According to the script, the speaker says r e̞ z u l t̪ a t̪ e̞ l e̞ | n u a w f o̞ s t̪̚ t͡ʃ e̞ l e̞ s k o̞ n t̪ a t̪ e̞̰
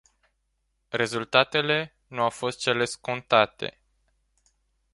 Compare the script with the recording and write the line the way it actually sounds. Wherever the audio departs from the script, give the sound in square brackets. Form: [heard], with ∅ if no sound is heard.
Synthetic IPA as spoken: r e̞ z u l t̪ a t̪ e̞ l e̞ | n u a w f o̞ s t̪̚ t͡ʃ e̞ l e̞ s k o̞ n t̪ a t̪ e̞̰

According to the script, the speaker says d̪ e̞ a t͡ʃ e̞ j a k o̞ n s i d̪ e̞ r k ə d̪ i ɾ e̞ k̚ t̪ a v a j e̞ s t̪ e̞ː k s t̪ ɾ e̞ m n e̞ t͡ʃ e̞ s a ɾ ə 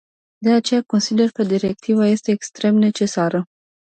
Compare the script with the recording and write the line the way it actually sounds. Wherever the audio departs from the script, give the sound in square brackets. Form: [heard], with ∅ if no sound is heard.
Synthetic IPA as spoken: d̪ e̞ a t͡ʃ e̞ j a k o̞ n s i d̪ e̞ r k ə d̪ i ɾ e̞ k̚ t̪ [i] v a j e̞ s t̪ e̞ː k s t̪ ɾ e̞ m n e̞ t͡ʃ e̞ s a ɾ ə

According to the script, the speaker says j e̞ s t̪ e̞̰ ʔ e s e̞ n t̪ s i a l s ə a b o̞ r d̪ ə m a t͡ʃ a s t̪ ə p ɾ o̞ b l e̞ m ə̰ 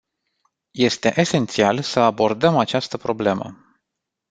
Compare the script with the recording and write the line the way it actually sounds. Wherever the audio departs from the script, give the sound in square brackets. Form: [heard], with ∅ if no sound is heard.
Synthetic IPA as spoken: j e̞ s t̪ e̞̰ ʔ e s e̞ n t̪ s i a l s ə a b o̞ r d̪ ə m a t͡ʃ a s t̪ ə p ɾ o̞ b l e̞ m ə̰

